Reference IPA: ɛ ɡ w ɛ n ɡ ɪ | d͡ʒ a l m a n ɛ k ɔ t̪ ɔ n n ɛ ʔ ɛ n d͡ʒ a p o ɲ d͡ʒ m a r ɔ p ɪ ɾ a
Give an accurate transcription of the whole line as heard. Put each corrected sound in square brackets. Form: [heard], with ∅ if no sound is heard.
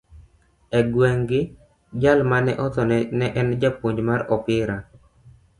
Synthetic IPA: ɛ ɡ w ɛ [ŋ] ɡ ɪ | d͡ʒ a l m a n ɛ [ʔ] ɔ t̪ ɔ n n ɛ ʔ ɛ n d͡ʒ a p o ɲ d͡ʒ m a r ɔ p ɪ ɾ a